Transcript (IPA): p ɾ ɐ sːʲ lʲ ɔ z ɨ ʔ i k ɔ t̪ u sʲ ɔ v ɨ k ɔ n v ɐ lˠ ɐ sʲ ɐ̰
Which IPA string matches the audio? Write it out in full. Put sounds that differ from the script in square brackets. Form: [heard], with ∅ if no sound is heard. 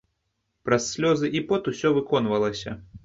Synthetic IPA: p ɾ ɐ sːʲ lʲ ɔ z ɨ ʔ i [p] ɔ t̪ u sʲ ɔ v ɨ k ɔ n v ɐ lˠ ɐ sʲ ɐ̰